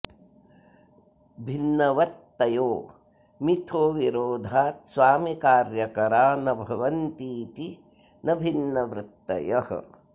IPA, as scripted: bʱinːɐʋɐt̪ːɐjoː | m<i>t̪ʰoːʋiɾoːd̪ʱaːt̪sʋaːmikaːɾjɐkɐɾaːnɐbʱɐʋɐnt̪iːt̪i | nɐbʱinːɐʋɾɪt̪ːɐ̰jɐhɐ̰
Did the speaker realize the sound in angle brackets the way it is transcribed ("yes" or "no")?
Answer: yes